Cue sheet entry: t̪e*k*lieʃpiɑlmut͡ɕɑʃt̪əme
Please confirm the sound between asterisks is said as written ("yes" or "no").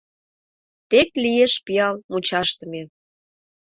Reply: yes